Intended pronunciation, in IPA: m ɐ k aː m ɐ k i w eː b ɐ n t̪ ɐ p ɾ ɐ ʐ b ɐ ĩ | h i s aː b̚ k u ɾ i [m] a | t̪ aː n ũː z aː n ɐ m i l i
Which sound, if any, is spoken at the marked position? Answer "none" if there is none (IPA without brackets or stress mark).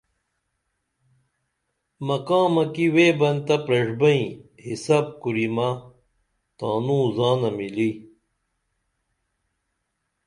m